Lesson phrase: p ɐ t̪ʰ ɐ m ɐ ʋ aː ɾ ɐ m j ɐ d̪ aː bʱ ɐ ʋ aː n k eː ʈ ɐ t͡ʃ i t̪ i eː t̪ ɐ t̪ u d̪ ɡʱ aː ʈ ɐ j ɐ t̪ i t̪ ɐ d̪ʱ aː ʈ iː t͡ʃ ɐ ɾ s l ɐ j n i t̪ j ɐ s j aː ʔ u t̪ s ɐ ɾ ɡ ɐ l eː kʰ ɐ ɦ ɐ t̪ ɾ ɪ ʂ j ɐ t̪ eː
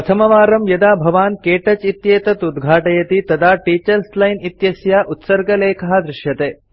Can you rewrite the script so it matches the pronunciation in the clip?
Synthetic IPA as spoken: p ɐ t̪ʰ ɐ m ɐ ʋ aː ɾ ɐ m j ɐ d̪ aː bʱ ɐ ʋ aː n k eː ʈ ɐ t͡ʃ i t̪ j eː t̪ ɐ t̪ u d̪ ɡʱ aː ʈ ɐ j ɐ t̪ i t̪ ɐ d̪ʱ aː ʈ iː t͡ʃ ɐ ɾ s l ɐ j n i t̪ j ɐ s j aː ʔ u t̪ s ɐ ɾ ɡ ɐ l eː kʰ ɐ ɦ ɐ d̪ ɾ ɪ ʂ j ɐ t̪ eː